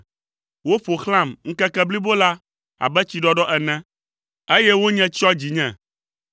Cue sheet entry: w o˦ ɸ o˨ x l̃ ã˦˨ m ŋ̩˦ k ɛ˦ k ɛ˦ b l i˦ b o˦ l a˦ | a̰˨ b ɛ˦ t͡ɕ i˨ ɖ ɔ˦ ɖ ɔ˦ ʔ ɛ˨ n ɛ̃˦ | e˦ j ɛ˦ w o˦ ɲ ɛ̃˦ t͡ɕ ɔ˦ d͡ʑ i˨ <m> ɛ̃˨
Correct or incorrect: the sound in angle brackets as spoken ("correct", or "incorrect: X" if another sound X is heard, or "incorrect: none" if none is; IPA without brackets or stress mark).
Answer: incorrect: ɲ